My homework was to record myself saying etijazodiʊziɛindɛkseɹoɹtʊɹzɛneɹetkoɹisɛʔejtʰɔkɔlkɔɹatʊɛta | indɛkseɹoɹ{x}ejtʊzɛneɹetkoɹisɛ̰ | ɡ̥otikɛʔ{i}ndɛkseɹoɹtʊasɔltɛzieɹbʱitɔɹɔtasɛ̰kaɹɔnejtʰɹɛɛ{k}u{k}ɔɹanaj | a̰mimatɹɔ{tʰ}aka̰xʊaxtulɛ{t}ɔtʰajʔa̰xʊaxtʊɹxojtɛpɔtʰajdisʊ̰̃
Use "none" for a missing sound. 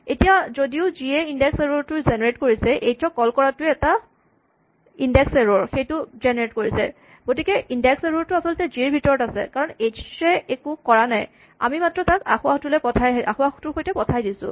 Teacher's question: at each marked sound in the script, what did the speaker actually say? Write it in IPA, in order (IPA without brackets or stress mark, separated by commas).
x, i, k, k, t, p